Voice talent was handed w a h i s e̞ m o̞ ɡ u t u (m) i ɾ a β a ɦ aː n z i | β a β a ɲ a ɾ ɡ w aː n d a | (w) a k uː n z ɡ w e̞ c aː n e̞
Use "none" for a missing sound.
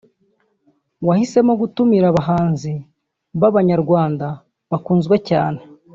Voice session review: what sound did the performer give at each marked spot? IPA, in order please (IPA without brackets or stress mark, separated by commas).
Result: m, β